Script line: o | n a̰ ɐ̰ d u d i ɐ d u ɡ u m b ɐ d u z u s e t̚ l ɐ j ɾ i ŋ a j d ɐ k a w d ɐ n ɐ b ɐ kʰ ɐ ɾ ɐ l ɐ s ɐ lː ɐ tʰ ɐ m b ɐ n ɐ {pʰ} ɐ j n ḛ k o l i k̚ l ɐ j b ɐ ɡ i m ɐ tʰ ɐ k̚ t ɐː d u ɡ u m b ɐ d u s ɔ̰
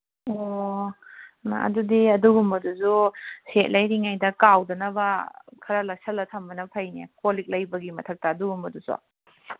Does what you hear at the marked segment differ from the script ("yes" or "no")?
no